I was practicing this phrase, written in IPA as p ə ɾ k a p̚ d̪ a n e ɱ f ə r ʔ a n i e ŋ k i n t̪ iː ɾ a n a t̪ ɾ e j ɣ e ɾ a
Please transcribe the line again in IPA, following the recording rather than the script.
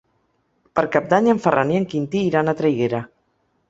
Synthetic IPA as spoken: p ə ɾ k a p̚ d̪ a ɲ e ɱ f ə r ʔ a n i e ŋ k i n t̪ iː ɾ a n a t̪ ɾ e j ɣ e ɾ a